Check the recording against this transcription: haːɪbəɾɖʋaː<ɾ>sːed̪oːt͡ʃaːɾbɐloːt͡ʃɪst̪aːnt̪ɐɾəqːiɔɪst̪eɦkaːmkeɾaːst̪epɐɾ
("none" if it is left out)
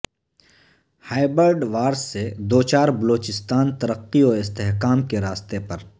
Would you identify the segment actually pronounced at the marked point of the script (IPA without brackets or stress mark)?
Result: ɾ